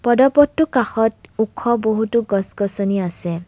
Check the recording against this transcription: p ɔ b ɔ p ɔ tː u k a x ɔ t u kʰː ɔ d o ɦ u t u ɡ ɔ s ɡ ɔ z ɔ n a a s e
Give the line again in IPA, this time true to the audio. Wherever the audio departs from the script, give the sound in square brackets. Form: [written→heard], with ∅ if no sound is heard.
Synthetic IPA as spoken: p ɔ [b→d] ɔ p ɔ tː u k a x ɔ t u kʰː ɔ [d→b] o ɦ u t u ɡ ɔ s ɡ ɔ [z→s] ɔ n [a→i] a s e